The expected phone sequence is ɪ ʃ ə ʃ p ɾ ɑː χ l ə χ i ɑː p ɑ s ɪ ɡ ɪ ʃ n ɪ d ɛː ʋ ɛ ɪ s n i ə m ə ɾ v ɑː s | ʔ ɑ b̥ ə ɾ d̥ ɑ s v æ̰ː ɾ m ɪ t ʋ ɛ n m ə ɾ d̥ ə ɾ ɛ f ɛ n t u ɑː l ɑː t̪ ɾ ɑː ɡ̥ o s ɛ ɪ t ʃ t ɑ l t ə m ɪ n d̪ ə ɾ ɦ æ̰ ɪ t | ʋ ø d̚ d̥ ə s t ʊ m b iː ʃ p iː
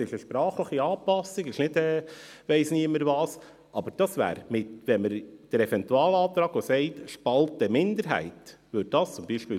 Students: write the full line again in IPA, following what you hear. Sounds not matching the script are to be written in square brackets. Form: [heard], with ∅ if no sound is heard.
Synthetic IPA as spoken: ɪ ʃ ə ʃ p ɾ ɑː χ l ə χ i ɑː p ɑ s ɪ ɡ ɪ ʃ n ɪ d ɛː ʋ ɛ ɪ s n i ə m ə ɾ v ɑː s | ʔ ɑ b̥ ə ɾ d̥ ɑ s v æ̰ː ɾ m ɪ t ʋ ɛ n m ə ɾ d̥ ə ɾ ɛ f ɛ n t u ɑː l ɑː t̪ ɾ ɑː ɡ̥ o s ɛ ɪ t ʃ [p] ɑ l t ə m ɪ n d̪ ə ɾ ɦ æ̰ ɪ t | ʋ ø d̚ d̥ [ɑ] s [t͡s] ʊ m b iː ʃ p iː